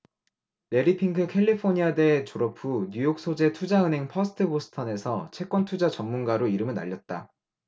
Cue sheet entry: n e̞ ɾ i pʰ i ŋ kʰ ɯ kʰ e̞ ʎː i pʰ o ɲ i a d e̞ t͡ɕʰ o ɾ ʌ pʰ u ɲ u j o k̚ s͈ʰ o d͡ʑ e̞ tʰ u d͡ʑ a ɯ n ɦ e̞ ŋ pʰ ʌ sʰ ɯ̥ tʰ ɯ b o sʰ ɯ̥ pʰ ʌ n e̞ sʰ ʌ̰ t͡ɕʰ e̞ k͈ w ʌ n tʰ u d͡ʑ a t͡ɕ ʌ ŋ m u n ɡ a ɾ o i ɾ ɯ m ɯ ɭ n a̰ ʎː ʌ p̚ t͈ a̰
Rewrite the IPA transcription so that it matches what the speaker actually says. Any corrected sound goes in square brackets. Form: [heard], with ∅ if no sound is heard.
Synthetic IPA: n e̞ ɾ i pʰ i ŋ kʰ ɯ kʰ e̞ ʎː i pʰ o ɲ i a d e̞ [t͡ɕ] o ɾ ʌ pʰ u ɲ u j o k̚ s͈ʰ o d͡ʑ e̞ tʰ u d͡ʑ a ɯ n ɦ e̞ ŋ pʰ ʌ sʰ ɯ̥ tʰ ɯ b o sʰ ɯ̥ [tʰ] ʌ n e̞ sʰ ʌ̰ t͡ɕʰ e̞ k͈ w ʌ n tʰ u d͡ʑ a t͡ɕ ʌ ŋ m u n ɡ a ɾ o i ɾ ɯ m ɯ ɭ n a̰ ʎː ʌ [t̚] t͈ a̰

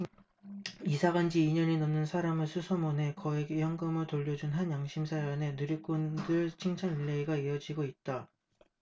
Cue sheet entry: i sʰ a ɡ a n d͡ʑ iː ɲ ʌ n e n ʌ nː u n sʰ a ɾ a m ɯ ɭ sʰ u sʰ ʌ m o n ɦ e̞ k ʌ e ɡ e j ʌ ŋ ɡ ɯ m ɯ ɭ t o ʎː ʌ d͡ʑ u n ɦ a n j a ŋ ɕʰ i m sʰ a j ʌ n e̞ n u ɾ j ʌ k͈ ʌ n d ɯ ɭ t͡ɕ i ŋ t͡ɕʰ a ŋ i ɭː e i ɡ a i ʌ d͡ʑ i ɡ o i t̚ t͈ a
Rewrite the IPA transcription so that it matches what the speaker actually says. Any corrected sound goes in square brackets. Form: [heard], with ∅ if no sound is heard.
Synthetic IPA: i sʰ a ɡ a n d͡ʑ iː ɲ ʌ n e n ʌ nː [ɯ] n sʰ a ɾ a m ɯ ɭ sʰ u sʰ ʌ m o n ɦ e̞ k ʌ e ɡ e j ʌ ŋ ɡ ɯ m ɯ ɭ t o ʎː ʌ d͡ʑ u n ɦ a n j a ŋ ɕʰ i m sʰ a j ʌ n e̞ n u ɾ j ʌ k͈ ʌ n d ɯ ɭ [t͡ɕʰ] i ŋ t͡ɕʰ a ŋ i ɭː e i ɡ a i ʌ d͡ʑ i ɡ o i t̚ t͈ a

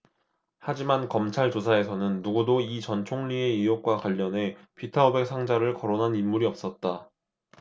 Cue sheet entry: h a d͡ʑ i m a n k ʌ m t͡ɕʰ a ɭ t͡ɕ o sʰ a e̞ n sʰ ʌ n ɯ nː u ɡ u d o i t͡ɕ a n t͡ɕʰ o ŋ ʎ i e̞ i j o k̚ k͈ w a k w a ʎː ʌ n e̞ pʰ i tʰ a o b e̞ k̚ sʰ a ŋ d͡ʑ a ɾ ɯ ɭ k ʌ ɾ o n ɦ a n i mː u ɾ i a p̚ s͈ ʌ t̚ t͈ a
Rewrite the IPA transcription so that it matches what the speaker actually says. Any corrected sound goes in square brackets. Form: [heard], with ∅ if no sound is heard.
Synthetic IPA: h a d͡ʑ i m a n k ʌ m t͡ɕʰ a ɭ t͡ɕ o sʰ a e̞ [∅] sʰ ʌ n ɯ nː u ɡ u d o i t͡ɕ [ʌ] n t͡ɕʰ o ŋ ʎ i e̞ i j o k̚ k͈ w a k w a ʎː ʌ n e̞ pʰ i tʰ a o b e̞ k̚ sʰ a ŋ d͡ʑ a ɾ ɯ ɭ k ʌ ɾ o n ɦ a n i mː u ɾ i [ʌ] p̚ s͈ ʌ t̚ t͈ a

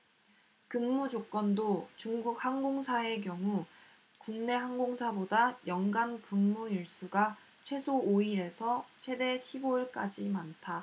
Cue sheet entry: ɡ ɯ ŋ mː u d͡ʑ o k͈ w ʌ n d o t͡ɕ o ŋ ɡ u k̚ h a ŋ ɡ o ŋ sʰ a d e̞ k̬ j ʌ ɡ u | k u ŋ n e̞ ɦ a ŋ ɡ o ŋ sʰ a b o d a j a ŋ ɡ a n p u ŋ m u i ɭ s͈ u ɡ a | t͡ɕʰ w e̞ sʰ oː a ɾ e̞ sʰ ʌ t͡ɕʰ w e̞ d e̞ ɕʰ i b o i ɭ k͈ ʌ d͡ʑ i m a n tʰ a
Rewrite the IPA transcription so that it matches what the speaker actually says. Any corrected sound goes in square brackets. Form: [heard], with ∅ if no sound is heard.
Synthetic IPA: [k] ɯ ŋ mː u d͡ʑ o k͈ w ʌ n d o t͡ɕ [u] ŋ ɡ u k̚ h a ŋ ɡ o ŋ sʰ a [∅] e̞ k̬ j ʌ [ŋ] u | k u ŋ n e̞ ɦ a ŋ ɡ o ŋ sʰ a b o d a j [ʌ] ŋ ɡ a n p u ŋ m u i ɭ s͈ u ɡ a | t͡ɕʰ w e̞ sʰ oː [i] ɾ e̞ sʰ ʌ t͡ɕʰ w e̞ d e̞ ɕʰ i b o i ɭ k͈ [a] d͡ʑ i m a n tʰ a

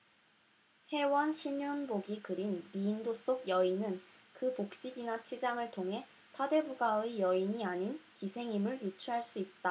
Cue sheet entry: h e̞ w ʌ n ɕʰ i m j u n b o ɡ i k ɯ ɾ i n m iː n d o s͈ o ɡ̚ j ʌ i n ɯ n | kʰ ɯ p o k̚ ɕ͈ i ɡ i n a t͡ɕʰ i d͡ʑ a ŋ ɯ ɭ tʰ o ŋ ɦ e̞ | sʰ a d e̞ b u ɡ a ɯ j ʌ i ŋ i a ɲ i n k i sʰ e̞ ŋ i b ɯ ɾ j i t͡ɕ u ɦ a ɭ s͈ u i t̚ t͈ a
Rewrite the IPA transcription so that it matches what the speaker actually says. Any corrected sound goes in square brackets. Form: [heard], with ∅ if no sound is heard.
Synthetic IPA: h e̞ w ʌ n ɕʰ i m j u n b o ɡ i k ɯ ɾ i n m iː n d o s͈ o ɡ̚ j ʌ i n ɯ n | [k] ɯ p o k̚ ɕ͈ i ɡ i n a t͡ɕʰ i d͡ʑ a ŋ ɯ ɭ tʰ o ŋ ɦ e̞ | sʰ a d e̞ b u ɡ a ɯ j ʌ i [ɲ] i a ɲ i n k i sʰ e̞ ŋ i [m] ɯ [ɭ] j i [t͡ɕʰ] u ɦ a ɭ s͈ u i t̚ t͈ a

